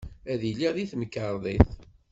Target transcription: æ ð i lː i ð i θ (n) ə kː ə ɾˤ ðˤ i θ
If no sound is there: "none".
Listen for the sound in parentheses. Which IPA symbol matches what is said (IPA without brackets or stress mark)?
m